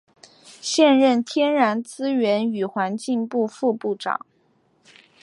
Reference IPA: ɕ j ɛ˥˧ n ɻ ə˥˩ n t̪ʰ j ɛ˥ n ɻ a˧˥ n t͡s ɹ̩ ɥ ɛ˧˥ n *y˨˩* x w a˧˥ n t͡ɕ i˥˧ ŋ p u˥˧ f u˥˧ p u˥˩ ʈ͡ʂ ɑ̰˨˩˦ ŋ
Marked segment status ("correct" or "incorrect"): correct